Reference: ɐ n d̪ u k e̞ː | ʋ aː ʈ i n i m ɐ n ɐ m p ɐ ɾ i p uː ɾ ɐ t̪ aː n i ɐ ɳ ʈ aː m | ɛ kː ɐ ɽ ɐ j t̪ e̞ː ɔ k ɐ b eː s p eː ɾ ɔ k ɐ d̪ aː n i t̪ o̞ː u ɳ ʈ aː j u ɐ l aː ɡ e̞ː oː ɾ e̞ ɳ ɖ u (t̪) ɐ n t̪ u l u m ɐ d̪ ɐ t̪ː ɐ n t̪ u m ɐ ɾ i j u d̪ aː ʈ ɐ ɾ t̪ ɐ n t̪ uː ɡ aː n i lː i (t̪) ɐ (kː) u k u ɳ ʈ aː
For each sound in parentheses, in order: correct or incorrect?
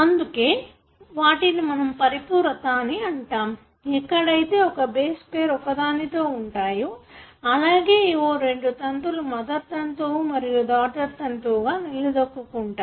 correct, incorrect, correct

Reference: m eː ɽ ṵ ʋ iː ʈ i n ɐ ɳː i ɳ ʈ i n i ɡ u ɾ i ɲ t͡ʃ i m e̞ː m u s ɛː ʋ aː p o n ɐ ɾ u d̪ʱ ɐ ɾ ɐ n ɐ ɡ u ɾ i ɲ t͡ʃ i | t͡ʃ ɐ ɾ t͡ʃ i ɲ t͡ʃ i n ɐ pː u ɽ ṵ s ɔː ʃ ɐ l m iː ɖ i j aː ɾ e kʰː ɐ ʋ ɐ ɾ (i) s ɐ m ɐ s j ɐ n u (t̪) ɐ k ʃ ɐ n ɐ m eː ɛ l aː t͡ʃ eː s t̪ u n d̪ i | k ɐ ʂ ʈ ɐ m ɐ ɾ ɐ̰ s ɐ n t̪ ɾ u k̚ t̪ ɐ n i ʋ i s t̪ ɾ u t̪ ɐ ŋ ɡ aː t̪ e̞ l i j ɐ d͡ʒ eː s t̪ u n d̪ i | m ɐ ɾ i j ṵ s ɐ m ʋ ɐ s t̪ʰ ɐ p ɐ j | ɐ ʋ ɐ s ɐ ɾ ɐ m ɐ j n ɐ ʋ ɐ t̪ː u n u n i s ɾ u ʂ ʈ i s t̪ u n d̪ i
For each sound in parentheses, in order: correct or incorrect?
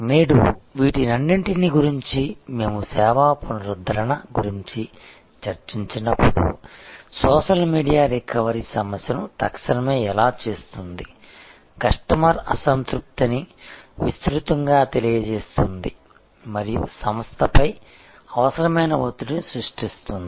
correct, correct

